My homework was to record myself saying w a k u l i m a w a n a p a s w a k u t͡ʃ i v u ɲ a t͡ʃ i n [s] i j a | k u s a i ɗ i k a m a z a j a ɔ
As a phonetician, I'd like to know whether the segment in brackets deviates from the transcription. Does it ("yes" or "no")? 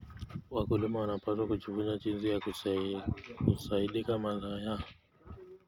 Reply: yes